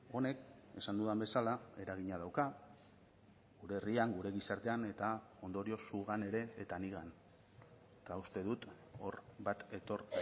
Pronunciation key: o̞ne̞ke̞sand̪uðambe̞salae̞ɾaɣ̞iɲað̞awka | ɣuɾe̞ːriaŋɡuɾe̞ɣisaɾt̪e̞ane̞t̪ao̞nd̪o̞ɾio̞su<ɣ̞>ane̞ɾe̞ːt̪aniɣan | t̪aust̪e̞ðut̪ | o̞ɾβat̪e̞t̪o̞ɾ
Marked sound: correct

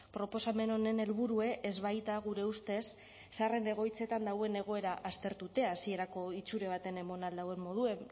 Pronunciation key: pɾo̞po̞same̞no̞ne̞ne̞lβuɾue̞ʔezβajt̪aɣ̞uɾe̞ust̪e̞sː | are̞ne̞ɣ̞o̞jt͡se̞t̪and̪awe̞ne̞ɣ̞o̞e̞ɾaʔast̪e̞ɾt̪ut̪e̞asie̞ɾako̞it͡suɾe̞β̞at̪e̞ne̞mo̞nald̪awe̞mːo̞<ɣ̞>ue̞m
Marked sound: incorrect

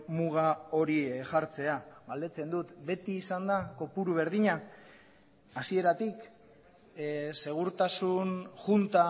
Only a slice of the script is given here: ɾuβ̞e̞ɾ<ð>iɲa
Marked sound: correct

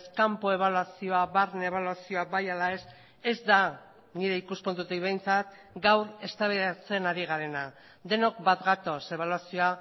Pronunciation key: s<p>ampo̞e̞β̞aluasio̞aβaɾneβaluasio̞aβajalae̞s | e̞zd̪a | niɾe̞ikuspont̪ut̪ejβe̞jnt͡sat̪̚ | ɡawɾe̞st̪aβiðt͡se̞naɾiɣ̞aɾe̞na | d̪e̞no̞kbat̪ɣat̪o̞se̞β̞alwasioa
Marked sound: incorrect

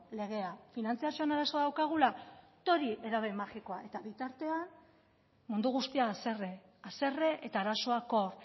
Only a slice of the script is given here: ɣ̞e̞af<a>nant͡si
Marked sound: incorrect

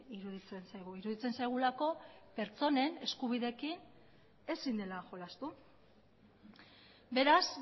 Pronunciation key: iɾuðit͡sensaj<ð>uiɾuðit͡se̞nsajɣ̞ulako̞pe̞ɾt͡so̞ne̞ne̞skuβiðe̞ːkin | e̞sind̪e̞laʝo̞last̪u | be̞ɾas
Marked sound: incorrect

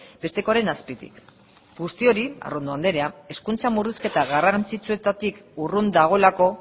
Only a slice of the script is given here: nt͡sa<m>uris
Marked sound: correct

